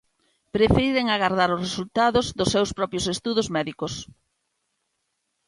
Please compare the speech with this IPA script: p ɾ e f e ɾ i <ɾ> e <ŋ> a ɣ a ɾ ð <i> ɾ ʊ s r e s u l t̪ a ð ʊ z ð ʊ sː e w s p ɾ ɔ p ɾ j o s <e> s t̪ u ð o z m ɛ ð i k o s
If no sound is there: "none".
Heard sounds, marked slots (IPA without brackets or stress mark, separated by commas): ɾ, ŋ, a, e